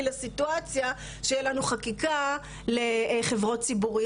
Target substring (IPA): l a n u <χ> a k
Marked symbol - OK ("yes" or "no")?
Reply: yes